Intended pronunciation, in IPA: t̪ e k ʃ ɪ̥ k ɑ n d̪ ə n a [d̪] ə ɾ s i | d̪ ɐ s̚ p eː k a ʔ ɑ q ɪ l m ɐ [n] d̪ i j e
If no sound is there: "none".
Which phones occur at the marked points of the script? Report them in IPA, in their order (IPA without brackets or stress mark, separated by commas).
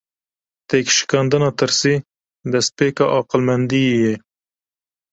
t̪, n